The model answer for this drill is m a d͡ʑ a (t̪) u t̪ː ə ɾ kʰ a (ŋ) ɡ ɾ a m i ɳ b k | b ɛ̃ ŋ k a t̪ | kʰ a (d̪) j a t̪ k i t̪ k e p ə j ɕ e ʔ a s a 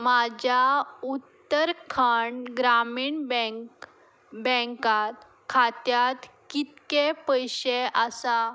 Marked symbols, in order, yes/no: no, no, no

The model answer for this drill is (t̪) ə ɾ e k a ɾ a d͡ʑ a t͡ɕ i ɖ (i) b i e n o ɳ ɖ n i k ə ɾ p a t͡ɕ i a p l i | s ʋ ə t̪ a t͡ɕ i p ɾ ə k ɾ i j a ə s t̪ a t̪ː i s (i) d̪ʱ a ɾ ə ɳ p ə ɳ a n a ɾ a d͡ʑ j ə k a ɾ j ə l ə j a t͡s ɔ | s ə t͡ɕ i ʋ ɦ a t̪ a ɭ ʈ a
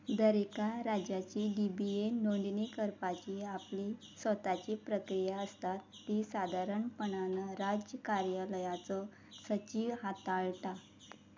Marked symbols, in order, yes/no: no, yes, no

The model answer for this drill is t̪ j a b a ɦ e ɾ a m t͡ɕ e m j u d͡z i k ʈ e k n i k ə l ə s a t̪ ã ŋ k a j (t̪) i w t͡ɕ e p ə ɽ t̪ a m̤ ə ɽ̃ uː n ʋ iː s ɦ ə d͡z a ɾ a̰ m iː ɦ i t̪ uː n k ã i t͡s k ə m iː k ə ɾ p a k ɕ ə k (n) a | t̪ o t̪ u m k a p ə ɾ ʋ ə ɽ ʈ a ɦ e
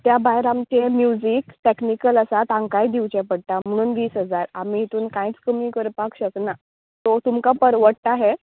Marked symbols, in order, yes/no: no, yes

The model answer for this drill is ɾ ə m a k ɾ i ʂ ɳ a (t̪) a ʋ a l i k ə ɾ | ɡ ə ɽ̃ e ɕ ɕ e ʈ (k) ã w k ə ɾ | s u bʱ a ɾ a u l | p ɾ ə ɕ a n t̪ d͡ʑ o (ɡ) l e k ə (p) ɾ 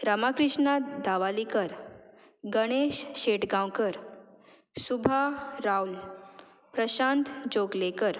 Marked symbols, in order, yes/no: no, no, yes, no

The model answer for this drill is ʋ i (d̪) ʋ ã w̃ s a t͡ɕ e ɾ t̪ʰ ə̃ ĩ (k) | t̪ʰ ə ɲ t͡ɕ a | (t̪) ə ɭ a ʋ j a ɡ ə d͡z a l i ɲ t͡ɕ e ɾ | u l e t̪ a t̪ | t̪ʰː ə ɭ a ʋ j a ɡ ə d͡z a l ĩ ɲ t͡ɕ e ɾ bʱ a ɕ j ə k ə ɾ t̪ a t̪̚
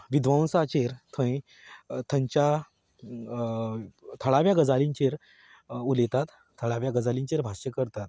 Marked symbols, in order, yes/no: yes, no, no

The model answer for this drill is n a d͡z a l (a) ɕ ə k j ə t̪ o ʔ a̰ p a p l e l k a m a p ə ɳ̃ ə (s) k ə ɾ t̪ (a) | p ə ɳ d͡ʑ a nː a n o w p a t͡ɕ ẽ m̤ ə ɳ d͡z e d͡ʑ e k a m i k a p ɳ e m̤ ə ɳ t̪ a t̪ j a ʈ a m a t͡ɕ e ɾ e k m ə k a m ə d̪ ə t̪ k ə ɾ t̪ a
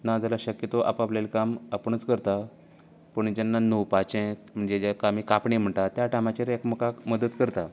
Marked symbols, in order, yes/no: yes, no, yes

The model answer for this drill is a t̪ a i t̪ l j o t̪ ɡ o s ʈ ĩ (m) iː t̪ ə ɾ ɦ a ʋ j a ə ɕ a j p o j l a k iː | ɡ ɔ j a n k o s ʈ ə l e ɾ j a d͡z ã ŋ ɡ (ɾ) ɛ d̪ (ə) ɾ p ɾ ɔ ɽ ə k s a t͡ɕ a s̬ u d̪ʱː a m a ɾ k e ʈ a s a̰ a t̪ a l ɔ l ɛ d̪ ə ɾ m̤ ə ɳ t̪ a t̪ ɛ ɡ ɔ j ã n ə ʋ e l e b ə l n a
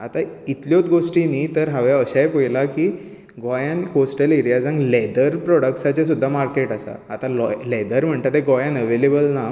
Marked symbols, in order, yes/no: no, no, yes

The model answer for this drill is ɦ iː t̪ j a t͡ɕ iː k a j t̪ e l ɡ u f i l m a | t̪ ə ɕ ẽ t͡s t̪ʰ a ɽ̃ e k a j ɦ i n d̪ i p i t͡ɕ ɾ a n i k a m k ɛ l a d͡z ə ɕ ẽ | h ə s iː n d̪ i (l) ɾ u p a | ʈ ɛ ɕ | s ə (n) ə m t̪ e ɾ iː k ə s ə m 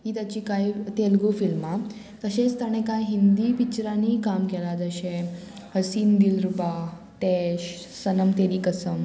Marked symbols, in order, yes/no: yes, yes

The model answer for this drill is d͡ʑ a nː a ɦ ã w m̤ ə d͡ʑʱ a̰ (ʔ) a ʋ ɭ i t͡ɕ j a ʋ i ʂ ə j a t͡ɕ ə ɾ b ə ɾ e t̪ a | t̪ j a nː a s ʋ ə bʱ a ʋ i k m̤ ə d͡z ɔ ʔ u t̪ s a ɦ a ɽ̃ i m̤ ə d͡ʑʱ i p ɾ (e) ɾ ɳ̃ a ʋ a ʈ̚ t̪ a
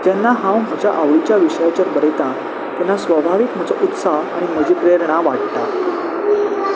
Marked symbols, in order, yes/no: yes, yes

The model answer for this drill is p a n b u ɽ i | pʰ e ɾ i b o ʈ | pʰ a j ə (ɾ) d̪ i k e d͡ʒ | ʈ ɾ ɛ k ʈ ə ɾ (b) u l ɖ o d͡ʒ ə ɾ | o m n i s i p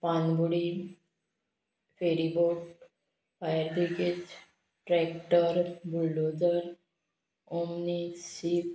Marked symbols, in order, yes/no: yes, yes

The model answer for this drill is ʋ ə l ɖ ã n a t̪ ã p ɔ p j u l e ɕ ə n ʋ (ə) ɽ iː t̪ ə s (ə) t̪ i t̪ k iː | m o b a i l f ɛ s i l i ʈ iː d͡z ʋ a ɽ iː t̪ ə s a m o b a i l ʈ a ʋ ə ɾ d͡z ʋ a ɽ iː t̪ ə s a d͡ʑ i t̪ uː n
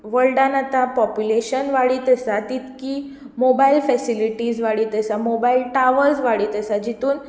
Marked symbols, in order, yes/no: no, no

